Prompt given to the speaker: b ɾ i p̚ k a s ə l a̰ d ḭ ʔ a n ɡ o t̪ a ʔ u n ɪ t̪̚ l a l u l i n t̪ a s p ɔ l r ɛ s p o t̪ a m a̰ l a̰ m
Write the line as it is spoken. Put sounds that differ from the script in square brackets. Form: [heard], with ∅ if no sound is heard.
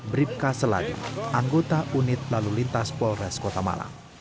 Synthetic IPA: b ɾ i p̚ k a s ə l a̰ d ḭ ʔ a [ŋ] ɡ o t̪ a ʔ u n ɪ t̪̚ l a l u l i n t̪ a s p ɔ l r ɛ s [k] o t̪ a m a̰ l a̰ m